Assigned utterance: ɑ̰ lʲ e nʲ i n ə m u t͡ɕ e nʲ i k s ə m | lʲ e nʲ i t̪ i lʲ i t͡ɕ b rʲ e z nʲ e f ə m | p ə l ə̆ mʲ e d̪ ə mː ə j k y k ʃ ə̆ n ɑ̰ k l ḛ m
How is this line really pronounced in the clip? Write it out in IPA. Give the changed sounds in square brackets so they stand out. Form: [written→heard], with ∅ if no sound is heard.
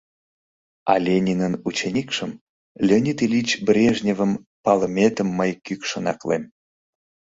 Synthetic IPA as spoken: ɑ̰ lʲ e nʲ i n ə [m→n] u t͡ɕ e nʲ i k [s→ʃ] ə m | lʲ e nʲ i t̪ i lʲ i t͡ɕ b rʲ e [z→ʒ] nʲ e [f→v] ə m | p [ə→ɑ] l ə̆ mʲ e [d̪→t̪] ə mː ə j k y k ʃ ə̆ n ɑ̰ k l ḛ m

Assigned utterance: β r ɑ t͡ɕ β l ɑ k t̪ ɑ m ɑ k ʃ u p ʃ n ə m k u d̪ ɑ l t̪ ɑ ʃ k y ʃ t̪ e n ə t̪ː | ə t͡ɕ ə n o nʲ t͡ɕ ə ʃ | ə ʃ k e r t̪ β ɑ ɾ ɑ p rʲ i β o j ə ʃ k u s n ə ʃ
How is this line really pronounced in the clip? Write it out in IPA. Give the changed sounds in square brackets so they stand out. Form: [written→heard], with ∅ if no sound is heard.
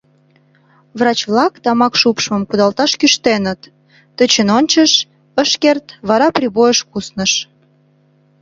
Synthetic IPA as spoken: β r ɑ t͡ɕ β l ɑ k t̪ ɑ m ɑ k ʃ u p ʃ [n→m] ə m k u d̪ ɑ l t̪ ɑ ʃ k y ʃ t̪ e n ə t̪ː | ə t͡ɕ ə n o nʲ t͡ɕ ə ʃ | ə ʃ k e r t̪ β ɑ ɾ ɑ p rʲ i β o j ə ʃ k u s n ə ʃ

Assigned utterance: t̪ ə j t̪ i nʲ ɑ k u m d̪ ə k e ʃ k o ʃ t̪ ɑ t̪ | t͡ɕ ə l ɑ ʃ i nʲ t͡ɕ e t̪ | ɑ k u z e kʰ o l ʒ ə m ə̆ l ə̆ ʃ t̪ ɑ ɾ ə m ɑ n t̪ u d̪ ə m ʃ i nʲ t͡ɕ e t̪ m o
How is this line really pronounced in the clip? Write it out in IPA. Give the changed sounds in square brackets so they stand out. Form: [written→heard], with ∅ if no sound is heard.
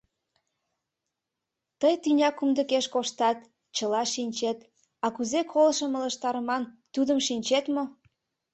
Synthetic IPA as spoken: t̪ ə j t̪ [i→y] nʲ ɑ k u m d̪ ə k e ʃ k o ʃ t̪ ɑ t̪ | t͡ɕ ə l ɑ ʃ i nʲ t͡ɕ e t̪ | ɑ k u z e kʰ o l [ʒ→ʃ] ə m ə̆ l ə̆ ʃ t̪ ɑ ɾ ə m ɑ n t̪ u d̪ ə m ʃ i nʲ t͡ɕ e t̪ m o

